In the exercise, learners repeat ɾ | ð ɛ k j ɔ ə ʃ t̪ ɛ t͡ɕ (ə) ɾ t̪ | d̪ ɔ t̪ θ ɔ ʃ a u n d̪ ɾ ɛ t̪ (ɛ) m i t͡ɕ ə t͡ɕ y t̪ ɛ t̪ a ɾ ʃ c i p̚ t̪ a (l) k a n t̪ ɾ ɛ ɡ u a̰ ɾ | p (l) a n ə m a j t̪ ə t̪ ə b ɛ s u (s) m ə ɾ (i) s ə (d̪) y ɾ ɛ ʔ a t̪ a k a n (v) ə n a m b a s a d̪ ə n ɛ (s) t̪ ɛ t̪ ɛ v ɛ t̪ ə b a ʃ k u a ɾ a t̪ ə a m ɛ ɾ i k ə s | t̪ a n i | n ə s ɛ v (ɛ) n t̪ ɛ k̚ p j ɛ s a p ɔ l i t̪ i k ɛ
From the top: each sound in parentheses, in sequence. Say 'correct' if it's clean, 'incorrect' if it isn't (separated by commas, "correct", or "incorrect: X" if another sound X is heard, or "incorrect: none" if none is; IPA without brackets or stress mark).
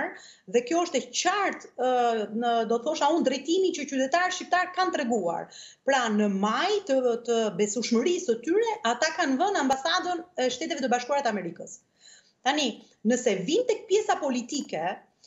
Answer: incorrect: a, incorrect: i, incorrect: ɾ, incorrect: ɾ, incorrect: ʃ, correct, incorrect: t̪, correct, incorrect: ʃ, incorrect: i